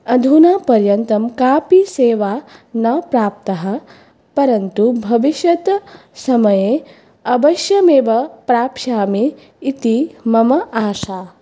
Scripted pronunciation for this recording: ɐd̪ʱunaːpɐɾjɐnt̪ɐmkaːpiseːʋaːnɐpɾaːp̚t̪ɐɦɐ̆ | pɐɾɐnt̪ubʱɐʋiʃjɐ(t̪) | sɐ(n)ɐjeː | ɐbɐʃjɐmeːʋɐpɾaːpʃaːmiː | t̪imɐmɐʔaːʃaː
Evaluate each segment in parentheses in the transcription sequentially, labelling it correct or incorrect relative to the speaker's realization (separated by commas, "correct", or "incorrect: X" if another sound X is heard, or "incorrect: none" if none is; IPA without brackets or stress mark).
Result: correct, incorrect: m